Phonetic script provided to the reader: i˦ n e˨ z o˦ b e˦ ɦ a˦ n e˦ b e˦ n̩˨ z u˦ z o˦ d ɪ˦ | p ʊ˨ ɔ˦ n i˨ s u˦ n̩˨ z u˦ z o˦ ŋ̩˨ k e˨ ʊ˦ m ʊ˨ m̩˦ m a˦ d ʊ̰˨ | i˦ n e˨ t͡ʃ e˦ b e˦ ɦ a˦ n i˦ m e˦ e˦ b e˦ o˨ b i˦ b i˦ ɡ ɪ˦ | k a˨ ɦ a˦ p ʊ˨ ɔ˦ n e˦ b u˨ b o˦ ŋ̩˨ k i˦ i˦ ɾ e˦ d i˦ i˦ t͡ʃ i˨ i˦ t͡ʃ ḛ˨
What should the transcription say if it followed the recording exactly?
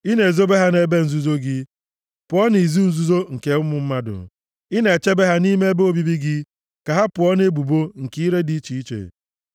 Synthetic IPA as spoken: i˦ n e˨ z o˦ b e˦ ɦ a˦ n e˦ b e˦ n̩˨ z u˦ z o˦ ɡ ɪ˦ | p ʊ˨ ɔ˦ n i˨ z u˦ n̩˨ z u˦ z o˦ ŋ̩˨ k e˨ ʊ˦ m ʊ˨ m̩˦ m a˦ d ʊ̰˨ | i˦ n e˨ t͡ʃ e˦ b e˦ ɦ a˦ n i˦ m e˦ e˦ b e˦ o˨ b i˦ b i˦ ɡ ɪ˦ | k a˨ ɦ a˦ p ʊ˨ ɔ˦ n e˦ b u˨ b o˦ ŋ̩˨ k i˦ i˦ ɾ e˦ d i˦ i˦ t͡ʃ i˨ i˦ t͡ʃ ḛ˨

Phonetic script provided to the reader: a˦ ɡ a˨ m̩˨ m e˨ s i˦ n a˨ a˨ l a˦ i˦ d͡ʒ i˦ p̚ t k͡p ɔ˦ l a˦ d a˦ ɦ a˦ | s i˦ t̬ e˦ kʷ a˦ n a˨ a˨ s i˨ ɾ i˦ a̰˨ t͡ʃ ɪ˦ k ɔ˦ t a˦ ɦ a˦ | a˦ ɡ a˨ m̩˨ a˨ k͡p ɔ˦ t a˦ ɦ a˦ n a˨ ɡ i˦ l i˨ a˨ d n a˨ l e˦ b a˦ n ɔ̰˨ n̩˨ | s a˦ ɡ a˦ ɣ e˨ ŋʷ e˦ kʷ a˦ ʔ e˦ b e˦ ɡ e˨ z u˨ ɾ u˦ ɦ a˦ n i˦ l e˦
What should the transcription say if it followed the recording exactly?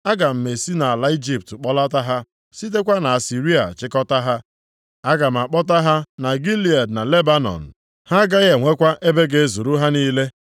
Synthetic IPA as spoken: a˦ ɡ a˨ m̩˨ m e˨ s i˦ n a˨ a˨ l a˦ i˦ d͡ʒ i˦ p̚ t k͡p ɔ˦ l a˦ t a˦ ɦ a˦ | s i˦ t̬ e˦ kʷ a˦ n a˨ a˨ s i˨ ɾ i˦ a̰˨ t͡ʃ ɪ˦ k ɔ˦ t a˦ ɦ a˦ | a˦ ɡ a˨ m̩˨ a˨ k͡p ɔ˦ t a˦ ɦ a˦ n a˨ ɡ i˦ l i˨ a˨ d n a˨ l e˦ b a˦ n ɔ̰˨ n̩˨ | h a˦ ɡ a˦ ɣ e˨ ŋʷ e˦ kʷ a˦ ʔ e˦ b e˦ ɡ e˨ z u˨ ɾ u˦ ɦ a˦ n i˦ l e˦

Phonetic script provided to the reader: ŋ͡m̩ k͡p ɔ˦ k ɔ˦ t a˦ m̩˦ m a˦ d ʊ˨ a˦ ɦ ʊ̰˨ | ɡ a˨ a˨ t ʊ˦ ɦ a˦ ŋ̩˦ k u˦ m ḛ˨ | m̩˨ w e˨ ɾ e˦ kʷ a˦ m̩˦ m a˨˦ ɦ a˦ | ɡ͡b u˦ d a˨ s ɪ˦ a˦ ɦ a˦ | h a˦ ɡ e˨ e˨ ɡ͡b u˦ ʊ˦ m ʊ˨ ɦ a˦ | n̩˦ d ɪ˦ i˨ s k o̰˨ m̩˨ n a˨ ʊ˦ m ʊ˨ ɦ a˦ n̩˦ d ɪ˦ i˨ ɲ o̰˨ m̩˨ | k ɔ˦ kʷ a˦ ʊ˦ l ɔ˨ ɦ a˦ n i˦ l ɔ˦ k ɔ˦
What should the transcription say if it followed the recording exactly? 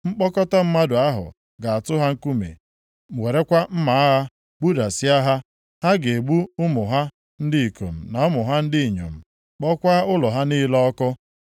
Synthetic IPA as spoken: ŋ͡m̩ k͡p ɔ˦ k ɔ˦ t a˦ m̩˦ m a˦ d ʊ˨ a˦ ɦ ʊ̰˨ | ɡ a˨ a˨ t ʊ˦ ɦ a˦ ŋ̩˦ k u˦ m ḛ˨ | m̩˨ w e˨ ɾ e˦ kʷ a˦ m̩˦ m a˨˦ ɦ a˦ | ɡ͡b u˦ d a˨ s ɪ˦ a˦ ɦ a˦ | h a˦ ɡ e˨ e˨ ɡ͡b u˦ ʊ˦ m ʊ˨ ɦ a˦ | n̩˦ d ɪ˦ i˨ k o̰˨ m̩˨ n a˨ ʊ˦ m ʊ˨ ɦ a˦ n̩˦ d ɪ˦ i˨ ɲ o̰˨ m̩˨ | k͡p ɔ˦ kʷ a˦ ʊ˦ l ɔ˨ ɦ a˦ n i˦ l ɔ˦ k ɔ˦

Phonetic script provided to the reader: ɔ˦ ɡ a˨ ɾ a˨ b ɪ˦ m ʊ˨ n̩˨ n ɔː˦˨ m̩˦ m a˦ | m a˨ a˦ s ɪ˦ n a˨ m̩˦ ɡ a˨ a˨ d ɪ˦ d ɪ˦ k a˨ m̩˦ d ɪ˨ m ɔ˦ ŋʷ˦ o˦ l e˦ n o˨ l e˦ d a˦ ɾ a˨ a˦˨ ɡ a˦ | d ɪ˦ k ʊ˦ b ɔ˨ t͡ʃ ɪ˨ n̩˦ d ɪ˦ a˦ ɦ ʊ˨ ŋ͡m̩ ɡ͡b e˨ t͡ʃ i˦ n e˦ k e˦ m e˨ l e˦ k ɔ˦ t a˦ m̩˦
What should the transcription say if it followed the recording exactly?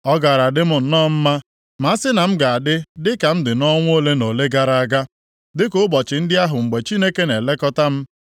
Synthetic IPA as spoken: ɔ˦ ɡ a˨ ɾ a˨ d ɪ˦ m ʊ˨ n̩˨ n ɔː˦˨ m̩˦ m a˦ | m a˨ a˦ s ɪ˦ n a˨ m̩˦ ɡ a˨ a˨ d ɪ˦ d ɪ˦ k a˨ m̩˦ d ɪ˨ n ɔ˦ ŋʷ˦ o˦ l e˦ n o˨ l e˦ ɡ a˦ ɾ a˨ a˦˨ ɡ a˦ | d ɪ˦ k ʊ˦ b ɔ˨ t͡ʃ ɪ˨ n̩˦ d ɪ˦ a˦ ɦ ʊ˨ ŋ͡m̩ ɡ͡b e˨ t͡ʃ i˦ n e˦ k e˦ n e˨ l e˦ k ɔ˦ t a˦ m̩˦

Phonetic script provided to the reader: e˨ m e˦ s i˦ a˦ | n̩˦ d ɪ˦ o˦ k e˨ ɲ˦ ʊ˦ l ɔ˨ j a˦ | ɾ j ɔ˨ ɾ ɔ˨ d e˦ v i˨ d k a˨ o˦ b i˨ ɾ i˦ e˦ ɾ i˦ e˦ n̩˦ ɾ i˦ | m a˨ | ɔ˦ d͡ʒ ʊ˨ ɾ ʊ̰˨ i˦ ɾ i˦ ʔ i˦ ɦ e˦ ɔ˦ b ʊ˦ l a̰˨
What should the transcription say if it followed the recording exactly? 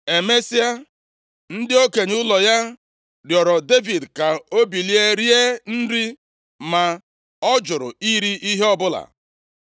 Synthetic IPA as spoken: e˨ m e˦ s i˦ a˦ | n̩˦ d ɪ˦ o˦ k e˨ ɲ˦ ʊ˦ l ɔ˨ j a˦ | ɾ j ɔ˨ ɾ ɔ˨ d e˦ v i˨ d k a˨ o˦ b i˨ l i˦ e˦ ɾ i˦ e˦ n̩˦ ɾ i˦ | m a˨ | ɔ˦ d͡ʒ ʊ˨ ɾ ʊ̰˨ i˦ ɾ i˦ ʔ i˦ ɦ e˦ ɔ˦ b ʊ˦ l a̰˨

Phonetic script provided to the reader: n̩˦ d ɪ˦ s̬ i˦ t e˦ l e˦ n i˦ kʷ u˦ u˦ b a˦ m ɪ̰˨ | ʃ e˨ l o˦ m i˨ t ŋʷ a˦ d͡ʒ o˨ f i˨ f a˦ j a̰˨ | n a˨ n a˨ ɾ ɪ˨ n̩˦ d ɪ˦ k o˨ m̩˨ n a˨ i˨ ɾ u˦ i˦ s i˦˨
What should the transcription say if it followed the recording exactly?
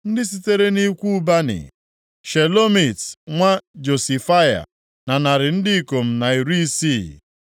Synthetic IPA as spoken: n̩˦ d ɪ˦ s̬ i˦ t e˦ ɾ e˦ n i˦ kʷ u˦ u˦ b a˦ n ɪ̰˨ | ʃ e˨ l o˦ m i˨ t ŋʷ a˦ d͡ʒ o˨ s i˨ f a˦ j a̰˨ | n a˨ n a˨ ɾ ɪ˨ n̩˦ d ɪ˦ k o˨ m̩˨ n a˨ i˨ ɾ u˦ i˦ s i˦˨

